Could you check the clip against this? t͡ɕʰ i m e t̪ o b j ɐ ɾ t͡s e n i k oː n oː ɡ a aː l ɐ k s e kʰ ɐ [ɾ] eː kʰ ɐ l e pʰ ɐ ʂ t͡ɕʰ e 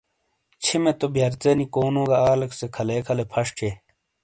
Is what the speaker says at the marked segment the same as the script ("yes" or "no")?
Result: no